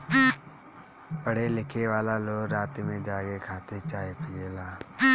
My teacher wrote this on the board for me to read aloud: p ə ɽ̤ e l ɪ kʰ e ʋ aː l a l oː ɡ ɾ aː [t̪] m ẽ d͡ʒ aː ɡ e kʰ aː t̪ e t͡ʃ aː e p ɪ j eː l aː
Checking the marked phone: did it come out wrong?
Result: no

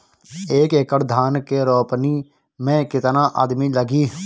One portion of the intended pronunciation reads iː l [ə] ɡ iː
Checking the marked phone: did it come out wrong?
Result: no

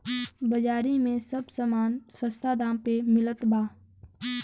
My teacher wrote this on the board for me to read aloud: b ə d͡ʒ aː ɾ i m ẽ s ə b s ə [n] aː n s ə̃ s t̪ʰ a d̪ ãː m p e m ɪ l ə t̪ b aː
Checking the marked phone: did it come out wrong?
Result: yes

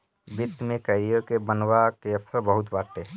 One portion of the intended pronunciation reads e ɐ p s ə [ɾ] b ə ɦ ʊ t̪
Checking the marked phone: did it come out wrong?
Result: no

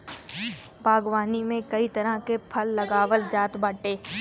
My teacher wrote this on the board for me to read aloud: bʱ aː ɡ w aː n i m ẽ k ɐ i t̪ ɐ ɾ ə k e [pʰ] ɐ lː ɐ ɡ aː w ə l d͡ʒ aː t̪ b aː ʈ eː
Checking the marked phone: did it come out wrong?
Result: no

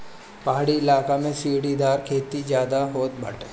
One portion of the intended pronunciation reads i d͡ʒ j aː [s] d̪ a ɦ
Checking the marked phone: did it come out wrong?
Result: yes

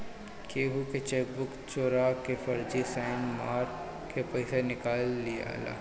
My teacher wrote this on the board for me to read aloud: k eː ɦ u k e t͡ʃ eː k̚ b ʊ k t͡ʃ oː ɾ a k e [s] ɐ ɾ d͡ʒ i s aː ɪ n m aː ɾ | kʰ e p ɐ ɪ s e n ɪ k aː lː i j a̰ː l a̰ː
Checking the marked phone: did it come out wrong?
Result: yes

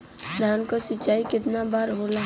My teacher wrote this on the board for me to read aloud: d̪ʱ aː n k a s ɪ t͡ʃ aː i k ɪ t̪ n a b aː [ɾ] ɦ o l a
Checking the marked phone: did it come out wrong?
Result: no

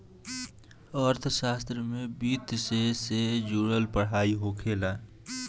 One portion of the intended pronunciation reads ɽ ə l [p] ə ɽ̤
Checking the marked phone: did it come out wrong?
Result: no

